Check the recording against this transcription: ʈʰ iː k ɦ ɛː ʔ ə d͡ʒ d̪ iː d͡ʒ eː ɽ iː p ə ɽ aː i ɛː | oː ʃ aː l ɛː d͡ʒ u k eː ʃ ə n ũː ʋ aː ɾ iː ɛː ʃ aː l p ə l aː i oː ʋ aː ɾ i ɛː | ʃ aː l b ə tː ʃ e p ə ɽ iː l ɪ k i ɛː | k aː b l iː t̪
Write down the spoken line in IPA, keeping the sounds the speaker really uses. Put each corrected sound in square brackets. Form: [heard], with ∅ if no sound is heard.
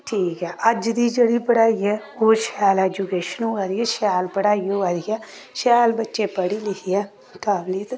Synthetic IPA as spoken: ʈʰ iː k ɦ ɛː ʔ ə d͡ʒ d̪ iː d͡ʒ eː ɽ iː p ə ɽ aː i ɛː | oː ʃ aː l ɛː d͡ʒ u k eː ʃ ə n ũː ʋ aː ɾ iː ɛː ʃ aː l p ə [ɽ] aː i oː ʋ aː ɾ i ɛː | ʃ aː l b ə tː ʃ e p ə ɽ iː l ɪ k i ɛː | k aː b l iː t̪